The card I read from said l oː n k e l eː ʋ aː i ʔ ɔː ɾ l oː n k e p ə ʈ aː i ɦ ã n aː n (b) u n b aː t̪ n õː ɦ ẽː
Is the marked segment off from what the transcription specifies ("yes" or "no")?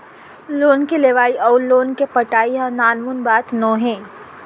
yes